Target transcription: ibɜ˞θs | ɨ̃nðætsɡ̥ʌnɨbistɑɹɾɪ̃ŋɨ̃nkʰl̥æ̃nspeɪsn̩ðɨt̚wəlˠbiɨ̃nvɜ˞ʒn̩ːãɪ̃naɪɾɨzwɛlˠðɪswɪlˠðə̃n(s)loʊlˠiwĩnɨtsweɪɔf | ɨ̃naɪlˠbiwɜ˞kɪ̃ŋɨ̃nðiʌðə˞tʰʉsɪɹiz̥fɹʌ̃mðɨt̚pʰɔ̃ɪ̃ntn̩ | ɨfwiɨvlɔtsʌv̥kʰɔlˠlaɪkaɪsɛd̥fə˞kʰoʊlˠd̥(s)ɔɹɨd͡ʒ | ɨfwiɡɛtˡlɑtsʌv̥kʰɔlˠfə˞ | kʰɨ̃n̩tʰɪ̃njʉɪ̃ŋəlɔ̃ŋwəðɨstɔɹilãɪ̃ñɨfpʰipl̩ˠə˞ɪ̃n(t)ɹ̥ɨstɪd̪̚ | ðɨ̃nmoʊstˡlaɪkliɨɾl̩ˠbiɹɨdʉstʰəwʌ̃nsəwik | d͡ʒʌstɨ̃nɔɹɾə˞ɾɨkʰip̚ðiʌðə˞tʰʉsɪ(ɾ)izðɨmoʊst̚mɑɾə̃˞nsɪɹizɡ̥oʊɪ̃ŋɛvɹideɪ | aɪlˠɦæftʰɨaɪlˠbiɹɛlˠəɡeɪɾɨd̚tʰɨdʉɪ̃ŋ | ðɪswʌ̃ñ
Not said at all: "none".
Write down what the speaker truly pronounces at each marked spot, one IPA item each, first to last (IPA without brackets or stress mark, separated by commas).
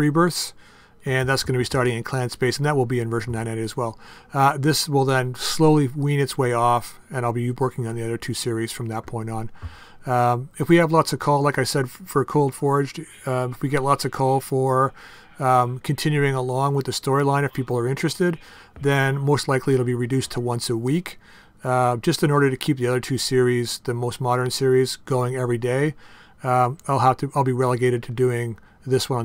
s, f, t͡ʃ, ɹ